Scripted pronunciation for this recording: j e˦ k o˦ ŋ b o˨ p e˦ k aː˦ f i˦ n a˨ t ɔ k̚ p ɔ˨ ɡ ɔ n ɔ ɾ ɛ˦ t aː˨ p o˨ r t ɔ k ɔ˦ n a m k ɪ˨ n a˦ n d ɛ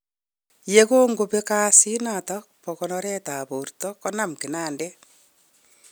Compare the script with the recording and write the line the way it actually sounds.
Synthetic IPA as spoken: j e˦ k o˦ ŋ ɡ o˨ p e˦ k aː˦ s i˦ n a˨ t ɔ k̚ p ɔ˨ k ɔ n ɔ ɾ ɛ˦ t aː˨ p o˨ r t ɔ k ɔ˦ n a m k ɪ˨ n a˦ n d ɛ